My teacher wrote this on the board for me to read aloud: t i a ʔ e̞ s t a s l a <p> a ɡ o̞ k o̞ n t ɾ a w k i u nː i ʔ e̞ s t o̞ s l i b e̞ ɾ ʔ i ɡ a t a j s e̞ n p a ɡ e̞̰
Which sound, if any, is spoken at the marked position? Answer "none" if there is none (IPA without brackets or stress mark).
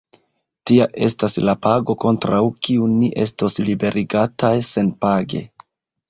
p